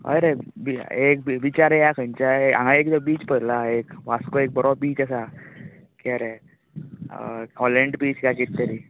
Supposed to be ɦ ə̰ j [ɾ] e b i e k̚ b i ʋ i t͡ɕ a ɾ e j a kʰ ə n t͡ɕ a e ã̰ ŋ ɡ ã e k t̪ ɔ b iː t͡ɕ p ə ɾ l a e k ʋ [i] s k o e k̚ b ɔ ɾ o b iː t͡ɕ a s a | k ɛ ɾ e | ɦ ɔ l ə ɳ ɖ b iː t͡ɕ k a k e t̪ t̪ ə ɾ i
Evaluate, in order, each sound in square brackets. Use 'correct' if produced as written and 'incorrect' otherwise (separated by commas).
correct, incorrect